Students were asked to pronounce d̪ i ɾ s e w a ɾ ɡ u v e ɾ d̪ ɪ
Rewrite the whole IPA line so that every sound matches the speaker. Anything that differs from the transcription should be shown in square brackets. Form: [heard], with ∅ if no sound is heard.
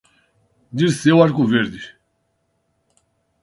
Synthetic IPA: d̪ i ɾ s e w a ɾ [k] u v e ɾ d̪ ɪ

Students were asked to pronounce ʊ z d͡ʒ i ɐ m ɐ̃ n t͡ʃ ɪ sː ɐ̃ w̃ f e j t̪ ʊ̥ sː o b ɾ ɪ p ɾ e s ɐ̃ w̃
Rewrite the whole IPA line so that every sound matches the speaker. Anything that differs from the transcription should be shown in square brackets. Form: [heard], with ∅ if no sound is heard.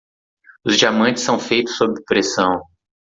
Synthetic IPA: ʊ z d͡ʒ i [a] m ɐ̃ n t͡ʃ ɪ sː ɐ̃ w̃ f e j t̪ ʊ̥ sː o b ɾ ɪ p ɾ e s ɐ̃ w̃

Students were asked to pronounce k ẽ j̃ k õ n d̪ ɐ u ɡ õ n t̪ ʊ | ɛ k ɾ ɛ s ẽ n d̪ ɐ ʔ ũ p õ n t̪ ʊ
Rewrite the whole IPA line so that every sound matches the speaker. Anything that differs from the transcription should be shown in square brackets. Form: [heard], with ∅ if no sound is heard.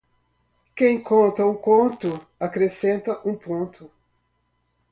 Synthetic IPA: k ẽ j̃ k õ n [t̪] ɐ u [k] õ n t̪ ʊ | [a] k ɾ [e] s ẽ n [t̪] ɐ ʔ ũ p õ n t̪ ʊ

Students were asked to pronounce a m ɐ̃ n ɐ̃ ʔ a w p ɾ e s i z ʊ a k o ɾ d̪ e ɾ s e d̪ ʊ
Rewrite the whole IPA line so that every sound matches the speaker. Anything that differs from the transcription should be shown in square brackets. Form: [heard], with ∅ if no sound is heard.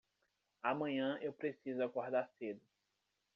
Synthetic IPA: a m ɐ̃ [ɲ] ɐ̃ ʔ [e] w p ɾ e s i z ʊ a k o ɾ d̪ [a] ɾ s e d̪ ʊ

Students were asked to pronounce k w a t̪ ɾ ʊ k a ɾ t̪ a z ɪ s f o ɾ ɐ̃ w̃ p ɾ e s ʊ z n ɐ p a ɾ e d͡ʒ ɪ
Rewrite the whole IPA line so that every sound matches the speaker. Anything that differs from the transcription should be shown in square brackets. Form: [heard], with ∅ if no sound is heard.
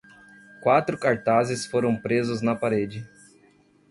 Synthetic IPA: k w a t̪ ɾ ʊ k a ɾ t̪ a z ɪ s f o ɾ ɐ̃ w̃ p ɾ e [z] ʊ z n ɐ p a ɾ e d͡ʒ ɪ

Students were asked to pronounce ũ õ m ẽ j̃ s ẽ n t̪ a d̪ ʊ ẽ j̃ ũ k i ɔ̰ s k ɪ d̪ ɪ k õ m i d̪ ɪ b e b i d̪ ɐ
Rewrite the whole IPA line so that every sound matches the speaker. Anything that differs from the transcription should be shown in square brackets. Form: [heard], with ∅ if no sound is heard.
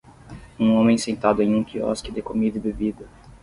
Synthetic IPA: ũ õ m ẽ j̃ s ẽ n t̪ a d̪ ʊ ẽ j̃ ũ k i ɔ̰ s k ɪ d̪ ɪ k [o] m i d̪ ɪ b e b i d̪ ɐ

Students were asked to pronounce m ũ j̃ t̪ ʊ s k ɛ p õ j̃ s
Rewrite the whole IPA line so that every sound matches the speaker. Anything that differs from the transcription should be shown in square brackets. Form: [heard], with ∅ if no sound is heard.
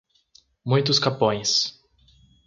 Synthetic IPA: m ũ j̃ t̪ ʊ s k [a] p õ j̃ s

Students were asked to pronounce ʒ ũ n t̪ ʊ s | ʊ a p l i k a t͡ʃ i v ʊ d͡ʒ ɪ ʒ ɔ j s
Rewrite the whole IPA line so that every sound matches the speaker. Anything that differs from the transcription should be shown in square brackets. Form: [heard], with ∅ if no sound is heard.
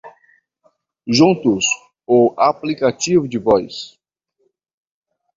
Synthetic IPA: ʒ ũ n t̪ ʊ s | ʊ a p l i k a t͡ʃ i v ʊ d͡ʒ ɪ [v] ɔ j s

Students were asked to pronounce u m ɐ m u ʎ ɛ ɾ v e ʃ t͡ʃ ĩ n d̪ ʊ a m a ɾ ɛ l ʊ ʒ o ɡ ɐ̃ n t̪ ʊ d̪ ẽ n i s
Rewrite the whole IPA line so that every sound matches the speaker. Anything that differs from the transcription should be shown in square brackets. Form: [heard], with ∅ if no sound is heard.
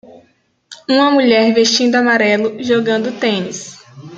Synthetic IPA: [ũ] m ɐ m u ʎ ɛ ɾ v e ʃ t͡ʃ ĩ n d̪ ʊ a m a ɾ ɛ l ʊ ʒ o ɡ ɐ̃ n [d̪] ʊ [t̪] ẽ n i s

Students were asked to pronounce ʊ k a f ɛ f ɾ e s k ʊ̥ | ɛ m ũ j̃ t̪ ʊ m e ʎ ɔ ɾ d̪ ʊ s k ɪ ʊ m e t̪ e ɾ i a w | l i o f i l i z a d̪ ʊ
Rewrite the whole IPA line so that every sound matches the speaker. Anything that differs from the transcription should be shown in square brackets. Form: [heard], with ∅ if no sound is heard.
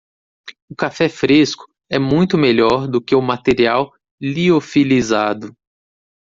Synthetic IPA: ʊ k a f ɛ f ɾ e s k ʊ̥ | ɛ m ũ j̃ t̪ ʊ m e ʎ ɔ ɾ d̪ ʊ [∅] k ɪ ʊ m [a] t̪ e ɾ i a w | l i o f i l i z a d̪ ʊ

